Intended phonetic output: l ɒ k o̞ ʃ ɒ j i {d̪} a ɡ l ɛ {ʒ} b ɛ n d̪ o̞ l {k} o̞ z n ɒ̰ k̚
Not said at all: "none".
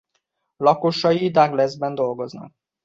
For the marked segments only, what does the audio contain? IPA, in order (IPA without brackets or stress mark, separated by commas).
d̪, z, ɡ